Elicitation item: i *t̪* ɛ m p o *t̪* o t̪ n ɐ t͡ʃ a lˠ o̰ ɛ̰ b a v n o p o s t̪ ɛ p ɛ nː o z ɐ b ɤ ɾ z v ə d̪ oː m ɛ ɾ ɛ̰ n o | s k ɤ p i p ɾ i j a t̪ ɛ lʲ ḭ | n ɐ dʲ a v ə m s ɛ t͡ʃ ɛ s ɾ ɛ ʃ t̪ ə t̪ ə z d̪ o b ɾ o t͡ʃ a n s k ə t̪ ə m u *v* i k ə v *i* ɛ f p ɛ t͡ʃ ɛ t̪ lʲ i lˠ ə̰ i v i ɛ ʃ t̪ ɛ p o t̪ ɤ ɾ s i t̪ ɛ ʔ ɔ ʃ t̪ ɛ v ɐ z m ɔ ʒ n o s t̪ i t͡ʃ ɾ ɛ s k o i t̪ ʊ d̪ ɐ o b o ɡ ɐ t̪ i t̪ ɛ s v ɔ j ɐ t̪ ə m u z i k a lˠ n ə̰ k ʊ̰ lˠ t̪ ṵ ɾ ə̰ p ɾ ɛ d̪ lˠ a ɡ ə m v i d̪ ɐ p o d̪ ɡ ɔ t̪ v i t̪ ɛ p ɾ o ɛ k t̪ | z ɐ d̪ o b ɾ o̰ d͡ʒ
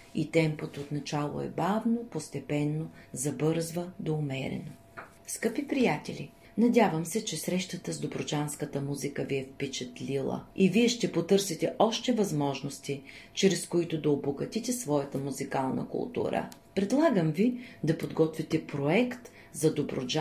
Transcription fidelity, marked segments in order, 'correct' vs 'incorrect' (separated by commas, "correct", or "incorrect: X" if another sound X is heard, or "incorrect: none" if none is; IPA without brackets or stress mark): correct, correct, incorrect: z, correct